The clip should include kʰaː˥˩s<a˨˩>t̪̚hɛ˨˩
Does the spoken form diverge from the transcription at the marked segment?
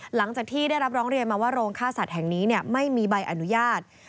no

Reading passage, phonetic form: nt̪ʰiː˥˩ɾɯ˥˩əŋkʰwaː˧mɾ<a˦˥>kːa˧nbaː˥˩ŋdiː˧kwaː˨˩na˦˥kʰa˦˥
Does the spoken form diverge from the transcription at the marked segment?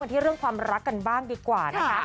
no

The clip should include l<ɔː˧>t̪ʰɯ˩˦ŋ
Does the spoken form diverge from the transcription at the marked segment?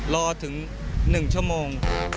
no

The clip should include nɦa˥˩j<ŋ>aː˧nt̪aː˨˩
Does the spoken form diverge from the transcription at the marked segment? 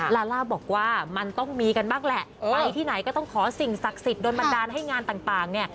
no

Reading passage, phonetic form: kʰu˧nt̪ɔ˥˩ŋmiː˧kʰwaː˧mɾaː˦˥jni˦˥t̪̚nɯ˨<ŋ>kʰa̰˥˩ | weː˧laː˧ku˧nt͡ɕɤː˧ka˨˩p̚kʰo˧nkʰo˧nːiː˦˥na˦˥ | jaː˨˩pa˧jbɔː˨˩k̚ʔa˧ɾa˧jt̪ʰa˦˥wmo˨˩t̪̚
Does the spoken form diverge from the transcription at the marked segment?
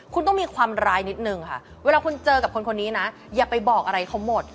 no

